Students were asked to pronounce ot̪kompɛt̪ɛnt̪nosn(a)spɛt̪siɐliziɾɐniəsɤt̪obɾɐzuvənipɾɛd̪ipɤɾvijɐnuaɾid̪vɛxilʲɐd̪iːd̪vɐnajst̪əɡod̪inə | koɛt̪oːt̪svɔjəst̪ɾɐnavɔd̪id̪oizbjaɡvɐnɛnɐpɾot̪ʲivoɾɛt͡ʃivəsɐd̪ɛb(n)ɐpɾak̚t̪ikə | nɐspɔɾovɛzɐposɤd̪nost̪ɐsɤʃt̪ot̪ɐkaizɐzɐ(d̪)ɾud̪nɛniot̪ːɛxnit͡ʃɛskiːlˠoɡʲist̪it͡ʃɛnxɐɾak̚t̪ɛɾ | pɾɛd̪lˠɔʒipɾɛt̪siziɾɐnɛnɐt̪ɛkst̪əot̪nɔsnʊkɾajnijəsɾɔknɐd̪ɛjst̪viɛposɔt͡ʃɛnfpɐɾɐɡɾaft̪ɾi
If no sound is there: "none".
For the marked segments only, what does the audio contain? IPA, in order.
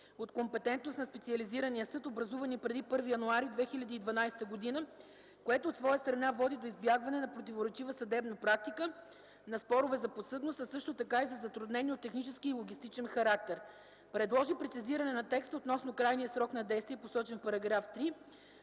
ɐ, n, t̪

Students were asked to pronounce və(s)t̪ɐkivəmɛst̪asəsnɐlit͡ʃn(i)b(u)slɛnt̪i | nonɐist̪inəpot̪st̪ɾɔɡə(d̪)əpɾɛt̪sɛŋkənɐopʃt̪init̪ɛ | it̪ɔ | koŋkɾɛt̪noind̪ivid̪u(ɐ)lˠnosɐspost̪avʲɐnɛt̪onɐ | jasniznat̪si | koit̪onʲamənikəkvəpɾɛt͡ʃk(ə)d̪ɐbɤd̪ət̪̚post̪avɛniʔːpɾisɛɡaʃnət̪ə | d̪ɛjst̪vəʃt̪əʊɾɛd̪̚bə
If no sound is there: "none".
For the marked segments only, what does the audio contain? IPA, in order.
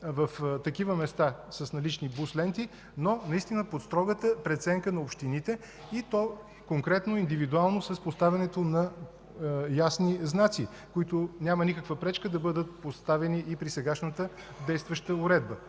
f, i, u, t̪, a, ə

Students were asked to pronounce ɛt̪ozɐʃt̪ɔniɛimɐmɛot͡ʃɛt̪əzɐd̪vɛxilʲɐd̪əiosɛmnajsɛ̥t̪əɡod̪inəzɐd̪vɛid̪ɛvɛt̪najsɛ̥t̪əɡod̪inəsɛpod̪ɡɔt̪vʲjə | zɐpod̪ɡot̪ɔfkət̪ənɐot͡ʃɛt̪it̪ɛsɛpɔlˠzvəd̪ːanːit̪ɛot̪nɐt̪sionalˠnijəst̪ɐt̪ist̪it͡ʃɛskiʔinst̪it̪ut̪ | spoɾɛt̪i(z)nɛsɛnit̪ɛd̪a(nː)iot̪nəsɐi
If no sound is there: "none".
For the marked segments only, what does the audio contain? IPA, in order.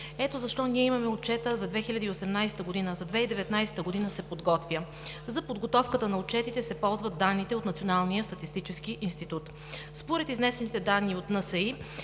z, nː

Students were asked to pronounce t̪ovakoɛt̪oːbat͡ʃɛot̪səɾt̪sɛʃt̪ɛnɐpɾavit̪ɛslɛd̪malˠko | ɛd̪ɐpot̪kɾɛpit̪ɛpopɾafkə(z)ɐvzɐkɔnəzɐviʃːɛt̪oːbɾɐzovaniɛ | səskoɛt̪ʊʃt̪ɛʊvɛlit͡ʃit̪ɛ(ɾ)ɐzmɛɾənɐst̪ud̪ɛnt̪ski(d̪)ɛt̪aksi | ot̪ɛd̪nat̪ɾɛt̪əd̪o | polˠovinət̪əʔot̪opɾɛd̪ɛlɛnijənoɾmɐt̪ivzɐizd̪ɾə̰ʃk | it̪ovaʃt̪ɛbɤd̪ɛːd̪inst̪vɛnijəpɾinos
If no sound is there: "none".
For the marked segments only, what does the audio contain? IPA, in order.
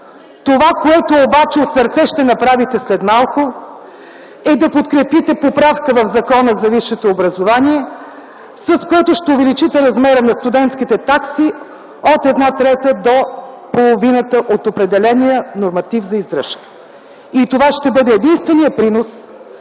v, ɾ, t̪

